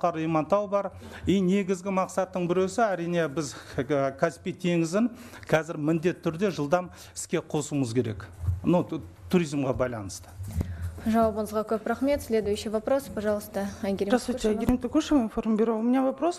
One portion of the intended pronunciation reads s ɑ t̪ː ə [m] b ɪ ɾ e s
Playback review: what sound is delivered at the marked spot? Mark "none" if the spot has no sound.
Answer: ɴ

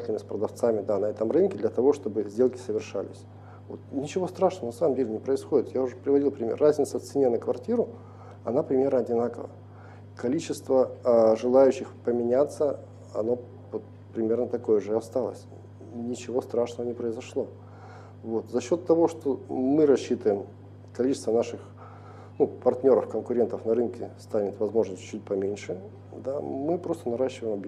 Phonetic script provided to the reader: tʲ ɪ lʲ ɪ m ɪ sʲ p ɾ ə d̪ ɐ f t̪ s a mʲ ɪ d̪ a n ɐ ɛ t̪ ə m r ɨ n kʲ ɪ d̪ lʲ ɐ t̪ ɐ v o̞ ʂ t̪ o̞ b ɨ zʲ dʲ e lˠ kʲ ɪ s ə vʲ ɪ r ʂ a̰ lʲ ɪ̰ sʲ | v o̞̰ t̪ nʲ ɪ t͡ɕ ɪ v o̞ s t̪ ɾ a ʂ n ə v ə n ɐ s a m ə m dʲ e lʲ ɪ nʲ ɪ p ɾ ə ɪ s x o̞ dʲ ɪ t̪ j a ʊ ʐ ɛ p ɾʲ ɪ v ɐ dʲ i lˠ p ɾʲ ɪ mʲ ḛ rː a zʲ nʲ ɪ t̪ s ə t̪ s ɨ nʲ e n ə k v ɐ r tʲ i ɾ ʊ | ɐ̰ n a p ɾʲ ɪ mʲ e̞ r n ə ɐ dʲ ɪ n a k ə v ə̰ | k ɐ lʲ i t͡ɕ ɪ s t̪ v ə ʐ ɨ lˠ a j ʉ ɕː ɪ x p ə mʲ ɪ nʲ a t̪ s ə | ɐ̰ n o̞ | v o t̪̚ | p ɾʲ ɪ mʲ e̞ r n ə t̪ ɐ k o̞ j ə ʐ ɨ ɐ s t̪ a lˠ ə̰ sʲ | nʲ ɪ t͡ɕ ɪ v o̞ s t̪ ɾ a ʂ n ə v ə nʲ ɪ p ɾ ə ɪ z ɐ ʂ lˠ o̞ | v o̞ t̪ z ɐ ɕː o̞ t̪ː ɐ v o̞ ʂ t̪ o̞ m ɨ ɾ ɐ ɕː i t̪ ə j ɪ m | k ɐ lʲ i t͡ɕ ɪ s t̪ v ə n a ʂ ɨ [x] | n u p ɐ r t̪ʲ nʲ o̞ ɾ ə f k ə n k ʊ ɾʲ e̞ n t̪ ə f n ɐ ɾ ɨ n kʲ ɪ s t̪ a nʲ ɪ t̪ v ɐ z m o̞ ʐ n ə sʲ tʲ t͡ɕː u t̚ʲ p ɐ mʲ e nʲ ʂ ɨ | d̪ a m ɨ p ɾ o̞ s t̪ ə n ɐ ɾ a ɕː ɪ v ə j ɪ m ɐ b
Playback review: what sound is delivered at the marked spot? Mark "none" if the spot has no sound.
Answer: x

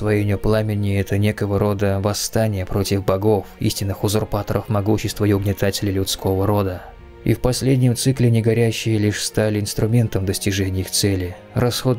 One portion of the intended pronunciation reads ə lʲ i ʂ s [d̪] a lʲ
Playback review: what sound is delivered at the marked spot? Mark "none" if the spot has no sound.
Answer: t̪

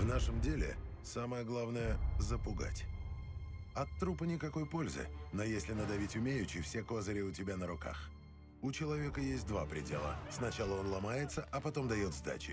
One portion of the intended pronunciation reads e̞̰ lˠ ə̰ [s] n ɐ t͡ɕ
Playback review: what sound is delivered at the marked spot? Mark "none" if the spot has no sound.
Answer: s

